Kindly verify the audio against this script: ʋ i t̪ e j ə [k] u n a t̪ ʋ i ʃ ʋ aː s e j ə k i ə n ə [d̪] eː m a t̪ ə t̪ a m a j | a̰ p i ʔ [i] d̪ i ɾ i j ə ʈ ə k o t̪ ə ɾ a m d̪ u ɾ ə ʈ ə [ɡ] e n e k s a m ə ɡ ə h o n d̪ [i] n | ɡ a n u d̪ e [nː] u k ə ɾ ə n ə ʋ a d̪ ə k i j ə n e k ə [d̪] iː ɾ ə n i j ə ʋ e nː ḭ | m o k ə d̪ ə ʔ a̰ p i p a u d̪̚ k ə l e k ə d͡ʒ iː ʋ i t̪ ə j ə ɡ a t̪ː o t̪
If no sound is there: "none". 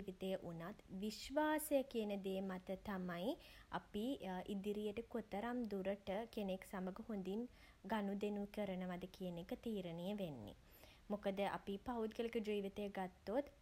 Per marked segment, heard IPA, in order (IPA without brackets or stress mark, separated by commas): ʔ, d̪, i, k, i, n, t̪